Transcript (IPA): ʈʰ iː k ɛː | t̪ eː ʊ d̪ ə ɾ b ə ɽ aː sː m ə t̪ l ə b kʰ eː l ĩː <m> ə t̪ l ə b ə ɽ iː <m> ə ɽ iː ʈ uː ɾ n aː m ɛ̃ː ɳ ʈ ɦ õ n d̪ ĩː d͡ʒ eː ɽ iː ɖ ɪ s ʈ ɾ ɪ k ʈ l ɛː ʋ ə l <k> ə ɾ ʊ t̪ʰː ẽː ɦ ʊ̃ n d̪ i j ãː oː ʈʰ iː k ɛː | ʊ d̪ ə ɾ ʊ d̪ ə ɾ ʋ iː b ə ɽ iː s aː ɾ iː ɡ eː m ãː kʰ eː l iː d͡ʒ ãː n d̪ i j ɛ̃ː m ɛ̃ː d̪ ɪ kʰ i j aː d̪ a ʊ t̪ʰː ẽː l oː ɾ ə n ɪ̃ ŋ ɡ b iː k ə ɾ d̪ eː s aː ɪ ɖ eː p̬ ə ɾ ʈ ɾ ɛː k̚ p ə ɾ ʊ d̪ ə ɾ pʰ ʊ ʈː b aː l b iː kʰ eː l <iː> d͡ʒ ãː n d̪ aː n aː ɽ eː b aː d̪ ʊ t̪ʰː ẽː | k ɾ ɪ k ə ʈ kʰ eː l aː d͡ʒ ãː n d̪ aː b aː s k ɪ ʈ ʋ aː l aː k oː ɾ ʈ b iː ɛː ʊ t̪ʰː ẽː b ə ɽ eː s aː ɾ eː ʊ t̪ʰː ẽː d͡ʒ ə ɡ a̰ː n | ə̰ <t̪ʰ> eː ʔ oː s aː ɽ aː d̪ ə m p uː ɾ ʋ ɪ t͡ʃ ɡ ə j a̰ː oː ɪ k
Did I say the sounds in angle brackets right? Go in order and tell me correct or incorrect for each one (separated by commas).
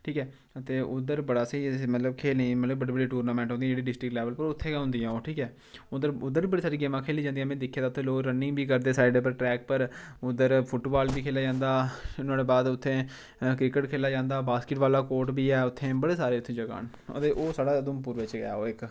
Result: correct, incorrect, incorrect, incorrect, incorrect